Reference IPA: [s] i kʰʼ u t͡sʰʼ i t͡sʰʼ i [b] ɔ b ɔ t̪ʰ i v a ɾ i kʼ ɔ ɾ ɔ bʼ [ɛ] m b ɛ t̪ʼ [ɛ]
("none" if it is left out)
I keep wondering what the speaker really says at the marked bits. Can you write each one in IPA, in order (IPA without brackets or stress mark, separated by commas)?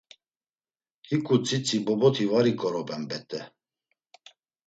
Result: h, b, ɛ, ɛ